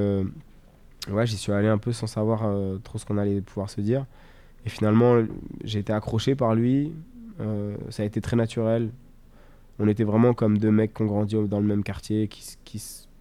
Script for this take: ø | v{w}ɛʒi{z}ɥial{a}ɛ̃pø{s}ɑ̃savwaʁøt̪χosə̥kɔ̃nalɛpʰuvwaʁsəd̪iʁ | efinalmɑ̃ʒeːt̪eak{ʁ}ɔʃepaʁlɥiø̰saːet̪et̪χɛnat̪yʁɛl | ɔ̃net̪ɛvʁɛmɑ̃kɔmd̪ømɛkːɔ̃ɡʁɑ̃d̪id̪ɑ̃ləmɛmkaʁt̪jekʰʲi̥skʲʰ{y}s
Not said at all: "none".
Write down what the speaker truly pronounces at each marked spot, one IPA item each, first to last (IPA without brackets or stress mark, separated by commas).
w, s, e, s, χ, i